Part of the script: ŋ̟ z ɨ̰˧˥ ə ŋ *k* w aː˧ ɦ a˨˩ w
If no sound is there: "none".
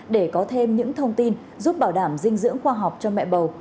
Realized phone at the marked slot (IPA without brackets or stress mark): x